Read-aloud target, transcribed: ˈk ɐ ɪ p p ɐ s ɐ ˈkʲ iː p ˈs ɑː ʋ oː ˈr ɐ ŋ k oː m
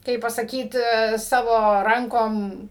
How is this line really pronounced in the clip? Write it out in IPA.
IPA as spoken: ˈk ɐ ɪ p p ɐ s ɐ ˈkʲ iː t ˈs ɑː ʋ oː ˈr ɐ ŋ k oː m